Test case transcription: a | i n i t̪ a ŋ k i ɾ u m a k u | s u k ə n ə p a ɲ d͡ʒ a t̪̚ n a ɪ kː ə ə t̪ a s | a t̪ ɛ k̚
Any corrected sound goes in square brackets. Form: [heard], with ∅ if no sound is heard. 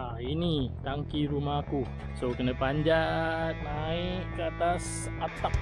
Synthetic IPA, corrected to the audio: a | i n i t̪ a ŋ k i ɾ u m a k u | s [o] k ə n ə p a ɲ d͡ʒ a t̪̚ n a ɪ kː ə [a] t̪ a s | a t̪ [a] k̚